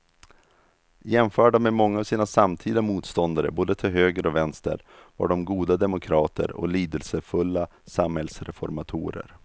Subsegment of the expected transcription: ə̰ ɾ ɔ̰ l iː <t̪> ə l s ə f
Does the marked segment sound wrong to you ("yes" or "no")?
yes